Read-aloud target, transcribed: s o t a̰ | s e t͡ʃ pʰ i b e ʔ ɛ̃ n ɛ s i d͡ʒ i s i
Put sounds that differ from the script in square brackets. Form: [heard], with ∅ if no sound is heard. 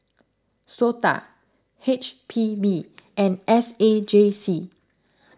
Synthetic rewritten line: s o t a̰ | [h] e t͡ʃ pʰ i b [i] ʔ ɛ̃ n ɛ s [e] d͡ʒ [e] s i